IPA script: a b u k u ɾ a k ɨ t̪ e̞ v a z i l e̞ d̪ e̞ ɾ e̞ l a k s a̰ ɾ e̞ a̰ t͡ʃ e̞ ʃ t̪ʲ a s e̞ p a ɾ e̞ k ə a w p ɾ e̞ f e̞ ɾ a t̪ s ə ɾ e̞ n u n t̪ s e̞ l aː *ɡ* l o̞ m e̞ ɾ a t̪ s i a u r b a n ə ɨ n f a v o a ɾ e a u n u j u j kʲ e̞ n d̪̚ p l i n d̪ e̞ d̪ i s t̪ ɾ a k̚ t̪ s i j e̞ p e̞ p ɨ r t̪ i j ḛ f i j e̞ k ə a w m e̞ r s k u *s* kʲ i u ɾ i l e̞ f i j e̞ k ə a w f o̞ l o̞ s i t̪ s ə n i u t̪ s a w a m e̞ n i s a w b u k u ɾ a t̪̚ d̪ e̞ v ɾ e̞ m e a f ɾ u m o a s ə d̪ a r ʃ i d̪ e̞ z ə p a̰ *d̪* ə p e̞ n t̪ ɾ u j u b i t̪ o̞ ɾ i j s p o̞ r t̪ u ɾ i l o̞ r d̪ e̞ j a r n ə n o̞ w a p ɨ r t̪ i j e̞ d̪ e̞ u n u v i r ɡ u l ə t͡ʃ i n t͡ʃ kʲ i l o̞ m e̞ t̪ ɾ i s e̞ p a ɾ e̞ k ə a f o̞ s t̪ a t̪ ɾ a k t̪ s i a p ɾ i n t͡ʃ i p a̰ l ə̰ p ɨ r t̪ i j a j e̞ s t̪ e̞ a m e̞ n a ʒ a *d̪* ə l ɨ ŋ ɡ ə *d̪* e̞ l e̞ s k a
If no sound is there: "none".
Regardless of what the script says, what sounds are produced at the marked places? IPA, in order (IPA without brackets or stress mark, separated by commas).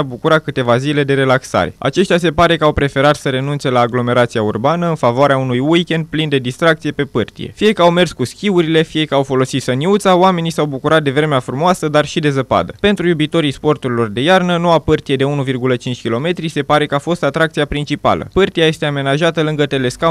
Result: ɡ, s, d̪, t̪, t̪